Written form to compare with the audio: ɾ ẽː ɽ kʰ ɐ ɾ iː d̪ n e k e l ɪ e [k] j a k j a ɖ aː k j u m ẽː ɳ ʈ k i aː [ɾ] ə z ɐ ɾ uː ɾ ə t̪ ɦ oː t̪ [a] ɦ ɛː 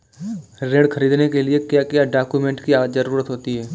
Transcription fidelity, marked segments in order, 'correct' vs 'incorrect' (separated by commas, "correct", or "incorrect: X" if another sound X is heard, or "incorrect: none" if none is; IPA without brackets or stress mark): correct, incorrect: none, incorrect: i